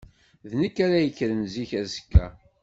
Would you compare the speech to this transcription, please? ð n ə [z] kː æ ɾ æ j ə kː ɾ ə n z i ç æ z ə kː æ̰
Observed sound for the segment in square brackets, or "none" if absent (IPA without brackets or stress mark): none